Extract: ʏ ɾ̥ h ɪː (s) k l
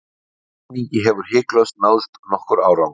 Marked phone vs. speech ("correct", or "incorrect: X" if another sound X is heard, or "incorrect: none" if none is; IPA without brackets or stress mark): incorrect: none